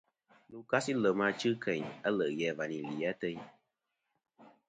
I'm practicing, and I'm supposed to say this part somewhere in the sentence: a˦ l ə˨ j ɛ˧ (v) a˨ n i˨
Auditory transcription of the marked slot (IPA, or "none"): v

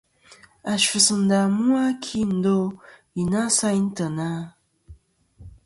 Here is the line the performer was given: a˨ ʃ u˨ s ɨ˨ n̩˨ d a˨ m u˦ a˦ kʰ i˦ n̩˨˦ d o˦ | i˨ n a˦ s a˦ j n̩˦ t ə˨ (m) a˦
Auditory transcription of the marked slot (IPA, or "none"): n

